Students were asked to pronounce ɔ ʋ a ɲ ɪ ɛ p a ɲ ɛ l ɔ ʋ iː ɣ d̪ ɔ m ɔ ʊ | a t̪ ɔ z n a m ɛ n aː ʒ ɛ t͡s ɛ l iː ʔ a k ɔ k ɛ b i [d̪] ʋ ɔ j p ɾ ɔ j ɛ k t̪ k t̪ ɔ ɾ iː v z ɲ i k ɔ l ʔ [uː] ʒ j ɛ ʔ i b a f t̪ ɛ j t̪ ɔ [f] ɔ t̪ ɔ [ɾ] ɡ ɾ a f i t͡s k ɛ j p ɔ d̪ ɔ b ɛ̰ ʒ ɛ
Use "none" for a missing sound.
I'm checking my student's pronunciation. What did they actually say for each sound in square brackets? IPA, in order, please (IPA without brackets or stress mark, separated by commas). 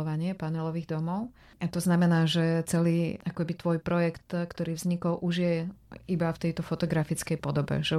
t̪, u, f, none